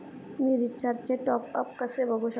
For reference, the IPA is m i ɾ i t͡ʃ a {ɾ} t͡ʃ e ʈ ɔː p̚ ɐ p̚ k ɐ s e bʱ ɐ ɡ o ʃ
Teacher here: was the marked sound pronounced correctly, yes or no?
yes